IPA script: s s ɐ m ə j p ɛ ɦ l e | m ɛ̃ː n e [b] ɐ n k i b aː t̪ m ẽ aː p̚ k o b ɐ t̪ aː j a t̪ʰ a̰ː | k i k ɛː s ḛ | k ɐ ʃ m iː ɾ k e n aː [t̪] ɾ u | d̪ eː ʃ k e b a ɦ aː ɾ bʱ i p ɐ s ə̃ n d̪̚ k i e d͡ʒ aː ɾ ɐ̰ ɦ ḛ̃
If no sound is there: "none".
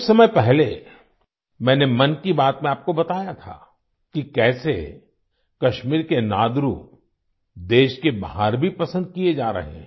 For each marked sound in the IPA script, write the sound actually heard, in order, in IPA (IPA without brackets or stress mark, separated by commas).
m, d̪